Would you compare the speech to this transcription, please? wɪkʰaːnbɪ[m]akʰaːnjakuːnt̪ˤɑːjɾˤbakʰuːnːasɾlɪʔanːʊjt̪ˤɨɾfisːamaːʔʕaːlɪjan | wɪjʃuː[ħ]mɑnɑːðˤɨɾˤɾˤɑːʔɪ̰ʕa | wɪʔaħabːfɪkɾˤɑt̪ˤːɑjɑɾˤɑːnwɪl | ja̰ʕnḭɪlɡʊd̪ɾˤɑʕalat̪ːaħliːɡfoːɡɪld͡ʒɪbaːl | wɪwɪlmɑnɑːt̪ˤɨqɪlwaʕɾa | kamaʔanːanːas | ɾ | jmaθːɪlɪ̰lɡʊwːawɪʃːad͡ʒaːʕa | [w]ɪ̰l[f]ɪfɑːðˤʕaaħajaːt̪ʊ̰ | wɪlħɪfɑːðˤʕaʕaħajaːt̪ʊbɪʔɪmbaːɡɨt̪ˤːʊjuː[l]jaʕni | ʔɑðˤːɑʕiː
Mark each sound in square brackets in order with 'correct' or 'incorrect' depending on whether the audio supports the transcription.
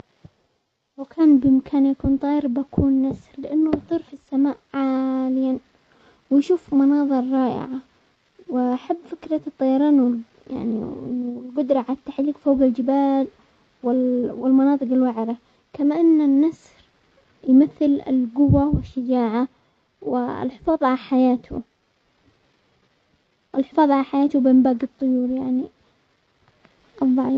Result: correct, incorrect: f, correct, incorrect: ħ, incorrect: ɾ

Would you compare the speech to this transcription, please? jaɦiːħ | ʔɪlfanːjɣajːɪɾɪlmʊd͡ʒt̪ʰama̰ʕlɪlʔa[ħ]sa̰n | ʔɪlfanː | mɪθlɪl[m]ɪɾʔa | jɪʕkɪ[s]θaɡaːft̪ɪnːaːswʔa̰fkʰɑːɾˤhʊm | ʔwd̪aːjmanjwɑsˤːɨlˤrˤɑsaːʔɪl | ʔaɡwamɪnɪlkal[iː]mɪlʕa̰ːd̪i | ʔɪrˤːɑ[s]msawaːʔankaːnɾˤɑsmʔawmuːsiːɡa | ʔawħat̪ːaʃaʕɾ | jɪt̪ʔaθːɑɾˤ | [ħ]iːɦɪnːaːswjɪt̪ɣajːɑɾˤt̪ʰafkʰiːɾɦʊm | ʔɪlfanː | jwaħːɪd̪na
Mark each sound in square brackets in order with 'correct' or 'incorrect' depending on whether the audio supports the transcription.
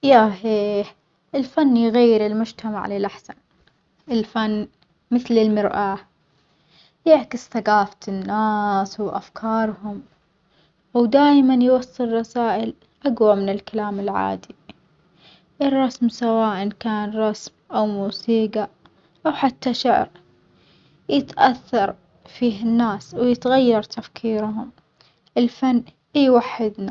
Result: correct, correct, correct, incorrect: aː, correct, incorrect: f

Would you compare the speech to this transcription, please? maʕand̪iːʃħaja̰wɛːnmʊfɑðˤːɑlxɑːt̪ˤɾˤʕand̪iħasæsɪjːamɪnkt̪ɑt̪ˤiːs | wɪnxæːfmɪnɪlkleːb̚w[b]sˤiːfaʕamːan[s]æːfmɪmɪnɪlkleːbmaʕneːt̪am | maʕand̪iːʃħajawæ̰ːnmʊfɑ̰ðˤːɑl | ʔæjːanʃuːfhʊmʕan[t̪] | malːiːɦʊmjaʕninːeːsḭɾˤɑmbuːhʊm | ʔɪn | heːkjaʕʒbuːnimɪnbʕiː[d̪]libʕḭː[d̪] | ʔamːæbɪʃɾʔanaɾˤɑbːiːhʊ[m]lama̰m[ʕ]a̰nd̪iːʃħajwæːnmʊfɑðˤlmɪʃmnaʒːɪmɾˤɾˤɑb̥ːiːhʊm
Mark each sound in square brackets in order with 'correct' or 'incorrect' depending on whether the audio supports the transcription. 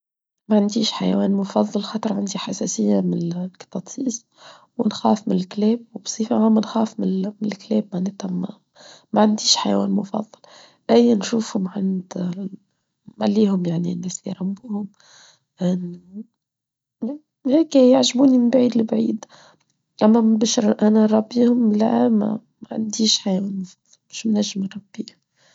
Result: correct, incorrect: x, incorrect: d̪, correct, correct, correct, correct

